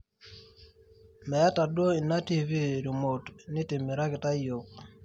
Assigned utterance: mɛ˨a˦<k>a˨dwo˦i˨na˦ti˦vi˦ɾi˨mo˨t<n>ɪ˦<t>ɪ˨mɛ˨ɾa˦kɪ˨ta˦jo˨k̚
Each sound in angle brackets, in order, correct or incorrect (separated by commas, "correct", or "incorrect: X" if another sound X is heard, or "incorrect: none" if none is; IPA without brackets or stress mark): incorrect: t, correct, correct